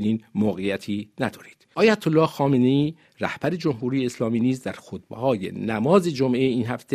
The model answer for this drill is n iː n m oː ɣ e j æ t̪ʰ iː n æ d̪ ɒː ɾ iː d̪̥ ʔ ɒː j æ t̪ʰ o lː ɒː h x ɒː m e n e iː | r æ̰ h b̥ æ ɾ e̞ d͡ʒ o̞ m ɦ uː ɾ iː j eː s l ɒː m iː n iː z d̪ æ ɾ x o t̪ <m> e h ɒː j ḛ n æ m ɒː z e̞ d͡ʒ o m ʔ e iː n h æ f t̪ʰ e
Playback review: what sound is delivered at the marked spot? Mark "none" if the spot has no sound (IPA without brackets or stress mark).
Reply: b